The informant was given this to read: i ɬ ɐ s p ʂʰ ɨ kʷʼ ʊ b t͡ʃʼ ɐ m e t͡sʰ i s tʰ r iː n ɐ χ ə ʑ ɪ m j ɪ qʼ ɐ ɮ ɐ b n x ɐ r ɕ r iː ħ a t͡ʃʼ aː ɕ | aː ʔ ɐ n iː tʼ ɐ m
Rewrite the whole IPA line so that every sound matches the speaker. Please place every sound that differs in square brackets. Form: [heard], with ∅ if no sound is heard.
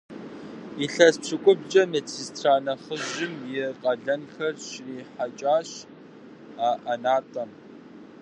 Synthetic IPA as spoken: i ɬ ɐ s p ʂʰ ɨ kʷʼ ʊ b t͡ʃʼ ɐ m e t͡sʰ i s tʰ r [aː] n ɐ χ ə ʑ ɪ m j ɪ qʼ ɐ ɮ ɐ [∅] n x ɐ r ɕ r iː ħ a t͡ʃʼ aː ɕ | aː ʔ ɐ n [aː] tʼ ɐ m